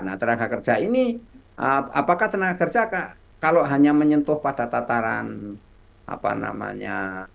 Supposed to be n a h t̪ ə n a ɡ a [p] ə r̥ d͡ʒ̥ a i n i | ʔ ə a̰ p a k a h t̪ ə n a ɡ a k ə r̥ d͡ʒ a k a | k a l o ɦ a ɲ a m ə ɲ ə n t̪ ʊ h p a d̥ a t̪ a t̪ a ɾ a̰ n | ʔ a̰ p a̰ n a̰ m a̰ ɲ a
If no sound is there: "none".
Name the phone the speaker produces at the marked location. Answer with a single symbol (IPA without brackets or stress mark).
k